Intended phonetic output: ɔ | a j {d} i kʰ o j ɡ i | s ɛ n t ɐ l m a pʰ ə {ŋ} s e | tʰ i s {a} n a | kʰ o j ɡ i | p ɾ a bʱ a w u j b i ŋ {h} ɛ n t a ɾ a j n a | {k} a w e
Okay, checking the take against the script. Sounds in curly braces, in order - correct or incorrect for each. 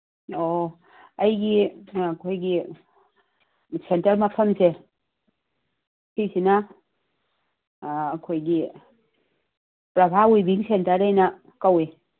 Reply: incorrect: ɡ, incorrect: m, incorrect: i, incorrect: s, correct

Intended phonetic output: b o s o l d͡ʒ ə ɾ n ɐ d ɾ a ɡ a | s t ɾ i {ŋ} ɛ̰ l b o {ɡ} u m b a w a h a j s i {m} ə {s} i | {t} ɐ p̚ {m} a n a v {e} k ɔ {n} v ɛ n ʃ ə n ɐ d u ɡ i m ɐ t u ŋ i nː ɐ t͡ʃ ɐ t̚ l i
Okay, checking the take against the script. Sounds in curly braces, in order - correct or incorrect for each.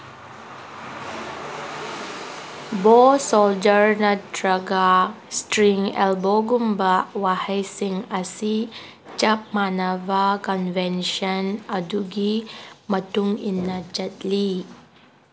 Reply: correct, correct, incorrect: ŋ, correct, incorrect: t͡ʃ, correct, incorrect: a, correct

